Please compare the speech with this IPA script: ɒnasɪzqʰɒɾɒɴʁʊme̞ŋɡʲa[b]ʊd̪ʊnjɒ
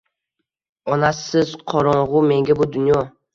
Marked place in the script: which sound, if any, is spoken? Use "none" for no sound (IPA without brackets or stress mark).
b